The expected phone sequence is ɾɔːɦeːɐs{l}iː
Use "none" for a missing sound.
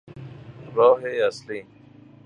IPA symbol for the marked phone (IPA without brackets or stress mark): l